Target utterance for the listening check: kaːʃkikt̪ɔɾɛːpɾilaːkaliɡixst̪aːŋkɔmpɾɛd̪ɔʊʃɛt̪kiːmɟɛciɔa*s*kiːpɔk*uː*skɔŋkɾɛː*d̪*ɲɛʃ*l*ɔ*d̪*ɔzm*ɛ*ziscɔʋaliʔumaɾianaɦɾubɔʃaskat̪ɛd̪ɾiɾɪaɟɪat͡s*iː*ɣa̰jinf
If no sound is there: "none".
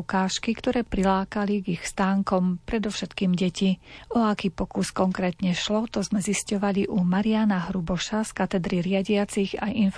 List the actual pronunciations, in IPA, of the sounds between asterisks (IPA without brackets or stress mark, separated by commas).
none, u, t̪, l, t̪, ɛ, i